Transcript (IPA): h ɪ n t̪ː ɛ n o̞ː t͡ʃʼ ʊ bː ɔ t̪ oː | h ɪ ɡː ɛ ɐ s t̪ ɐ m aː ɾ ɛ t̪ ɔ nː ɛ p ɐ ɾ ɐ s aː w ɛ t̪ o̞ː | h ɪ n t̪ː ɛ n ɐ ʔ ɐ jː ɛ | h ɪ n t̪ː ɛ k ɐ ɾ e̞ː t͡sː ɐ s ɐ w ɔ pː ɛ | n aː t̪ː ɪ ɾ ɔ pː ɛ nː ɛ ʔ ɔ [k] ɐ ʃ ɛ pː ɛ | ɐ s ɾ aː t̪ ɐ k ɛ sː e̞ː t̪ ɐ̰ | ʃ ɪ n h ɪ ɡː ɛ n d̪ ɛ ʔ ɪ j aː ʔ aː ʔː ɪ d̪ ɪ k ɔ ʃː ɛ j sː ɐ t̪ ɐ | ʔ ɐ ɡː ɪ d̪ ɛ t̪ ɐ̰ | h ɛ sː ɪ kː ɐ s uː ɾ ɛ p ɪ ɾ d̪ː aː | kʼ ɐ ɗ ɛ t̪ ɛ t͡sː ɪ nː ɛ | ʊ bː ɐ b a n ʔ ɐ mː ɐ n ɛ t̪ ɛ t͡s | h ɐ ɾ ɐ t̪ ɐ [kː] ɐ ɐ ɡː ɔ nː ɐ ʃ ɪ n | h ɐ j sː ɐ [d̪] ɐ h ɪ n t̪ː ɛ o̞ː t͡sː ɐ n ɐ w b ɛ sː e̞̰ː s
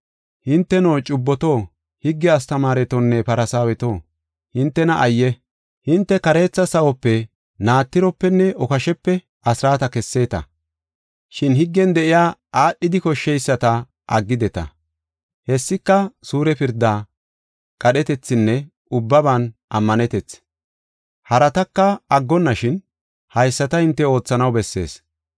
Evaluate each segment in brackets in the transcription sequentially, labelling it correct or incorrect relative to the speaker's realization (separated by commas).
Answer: correct, correct, incorrect